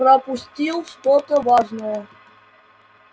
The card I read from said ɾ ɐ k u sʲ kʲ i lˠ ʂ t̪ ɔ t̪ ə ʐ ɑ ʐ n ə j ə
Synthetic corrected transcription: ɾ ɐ p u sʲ tʲ i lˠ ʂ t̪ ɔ t̪ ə v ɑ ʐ n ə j ə